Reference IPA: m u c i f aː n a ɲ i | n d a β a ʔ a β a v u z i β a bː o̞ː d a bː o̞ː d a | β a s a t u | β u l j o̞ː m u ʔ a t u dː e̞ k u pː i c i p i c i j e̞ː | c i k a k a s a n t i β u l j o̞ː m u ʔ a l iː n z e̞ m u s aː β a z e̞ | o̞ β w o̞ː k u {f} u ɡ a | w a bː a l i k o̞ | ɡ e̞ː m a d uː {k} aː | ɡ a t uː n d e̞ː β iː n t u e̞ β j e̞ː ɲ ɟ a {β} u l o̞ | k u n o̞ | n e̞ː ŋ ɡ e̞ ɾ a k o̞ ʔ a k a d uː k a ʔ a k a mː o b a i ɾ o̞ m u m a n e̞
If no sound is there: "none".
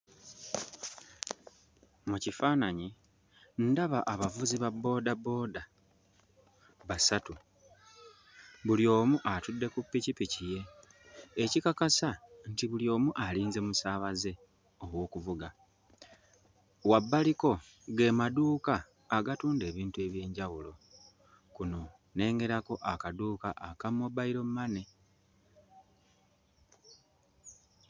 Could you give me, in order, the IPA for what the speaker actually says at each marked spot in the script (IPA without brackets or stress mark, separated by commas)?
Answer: v, k, w